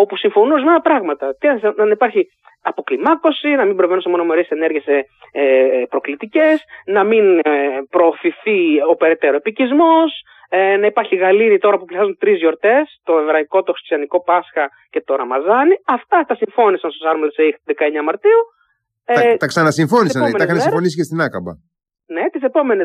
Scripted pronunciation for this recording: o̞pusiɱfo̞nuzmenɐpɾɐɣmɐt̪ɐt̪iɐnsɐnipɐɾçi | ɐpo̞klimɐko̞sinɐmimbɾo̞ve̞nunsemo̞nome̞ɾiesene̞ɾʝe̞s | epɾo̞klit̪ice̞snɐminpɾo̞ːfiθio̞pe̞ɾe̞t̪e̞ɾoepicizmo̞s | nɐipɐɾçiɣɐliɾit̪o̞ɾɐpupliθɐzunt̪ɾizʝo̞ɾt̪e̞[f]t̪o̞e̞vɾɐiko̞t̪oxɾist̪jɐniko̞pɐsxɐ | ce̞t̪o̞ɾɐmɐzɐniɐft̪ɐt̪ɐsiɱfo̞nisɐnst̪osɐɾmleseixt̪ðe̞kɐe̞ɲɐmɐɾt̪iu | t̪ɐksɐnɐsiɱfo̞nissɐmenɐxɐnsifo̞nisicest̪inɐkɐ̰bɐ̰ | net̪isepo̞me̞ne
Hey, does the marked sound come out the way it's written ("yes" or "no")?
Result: no